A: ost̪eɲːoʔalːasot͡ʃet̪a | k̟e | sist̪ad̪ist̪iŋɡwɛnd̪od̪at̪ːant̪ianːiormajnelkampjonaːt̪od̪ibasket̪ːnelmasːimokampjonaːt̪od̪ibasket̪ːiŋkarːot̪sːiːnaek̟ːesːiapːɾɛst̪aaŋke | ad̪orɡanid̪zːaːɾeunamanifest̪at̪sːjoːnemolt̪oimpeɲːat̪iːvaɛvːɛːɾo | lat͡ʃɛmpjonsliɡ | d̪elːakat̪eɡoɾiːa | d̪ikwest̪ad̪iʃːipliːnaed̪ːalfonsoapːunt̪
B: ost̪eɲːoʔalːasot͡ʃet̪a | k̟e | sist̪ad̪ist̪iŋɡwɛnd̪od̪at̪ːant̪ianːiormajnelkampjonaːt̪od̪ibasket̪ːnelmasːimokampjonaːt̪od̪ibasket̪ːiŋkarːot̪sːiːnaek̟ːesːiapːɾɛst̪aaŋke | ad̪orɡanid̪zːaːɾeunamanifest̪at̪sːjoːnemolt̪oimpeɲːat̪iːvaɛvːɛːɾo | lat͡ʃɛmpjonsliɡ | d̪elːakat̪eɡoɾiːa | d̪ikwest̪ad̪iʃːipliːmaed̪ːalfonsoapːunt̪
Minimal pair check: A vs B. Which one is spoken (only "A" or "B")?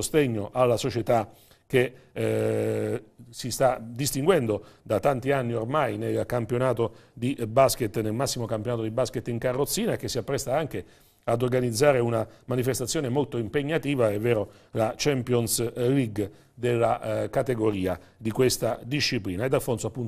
A